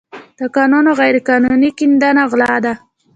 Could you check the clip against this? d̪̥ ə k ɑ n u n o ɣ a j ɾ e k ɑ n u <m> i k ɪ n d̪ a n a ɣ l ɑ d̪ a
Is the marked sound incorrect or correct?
incorrect